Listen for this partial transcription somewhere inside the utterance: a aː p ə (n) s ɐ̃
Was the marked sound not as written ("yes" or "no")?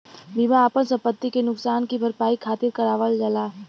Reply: no